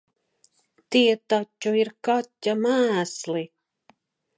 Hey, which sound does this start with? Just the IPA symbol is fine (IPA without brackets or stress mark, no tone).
t̪